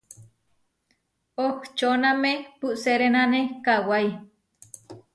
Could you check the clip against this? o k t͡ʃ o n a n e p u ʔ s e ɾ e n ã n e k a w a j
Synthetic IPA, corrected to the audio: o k t͡ʃ o n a m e p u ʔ s e ɾ e n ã n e k a w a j